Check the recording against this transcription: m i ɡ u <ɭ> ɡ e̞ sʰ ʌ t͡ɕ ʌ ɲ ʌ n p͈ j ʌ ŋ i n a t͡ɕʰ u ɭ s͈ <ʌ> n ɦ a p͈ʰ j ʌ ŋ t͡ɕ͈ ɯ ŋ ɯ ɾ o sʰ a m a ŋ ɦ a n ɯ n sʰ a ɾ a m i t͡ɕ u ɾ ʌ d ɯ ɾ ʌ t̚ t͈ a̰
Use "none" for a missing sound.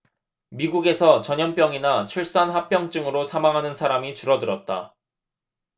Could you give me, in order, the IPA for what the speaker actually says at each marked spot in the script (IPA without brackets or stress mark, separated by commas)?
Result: none, a